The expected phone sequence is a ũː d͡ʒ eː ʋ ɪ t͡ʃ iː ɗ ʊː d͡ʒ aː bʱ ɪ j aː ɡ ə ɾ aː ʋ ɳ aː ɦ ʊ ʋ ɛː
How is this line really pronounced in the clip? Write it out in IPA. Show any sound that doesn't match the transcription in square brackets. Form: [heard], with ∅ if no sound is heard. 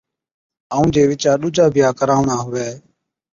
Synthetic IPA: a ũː d͡ʒ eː ʋ ɪ t͡ʃ [aː] ɗ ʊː d͡ʒ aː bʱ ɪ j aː [k] ə ɾ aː ʋ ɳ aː ɦ ʊ ʋ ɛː